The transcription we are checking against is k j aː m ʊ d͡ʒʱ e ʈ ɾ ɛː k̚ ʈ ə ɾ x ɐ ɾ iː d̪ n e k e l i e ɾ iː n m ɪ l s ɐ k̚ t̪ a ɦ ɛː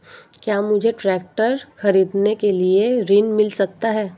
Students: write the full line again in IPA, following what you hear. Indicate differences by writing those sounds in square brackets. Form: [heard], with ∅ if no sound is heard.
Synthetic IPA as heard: k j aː m ʊ d͡ʒʱ e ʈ ɾ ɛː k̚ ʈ ə ɾ x ɐ ɾ iː d̪ n e k e l i e ɾ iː n m ɪ l s ɐ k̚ t̪ a ɦ ɛː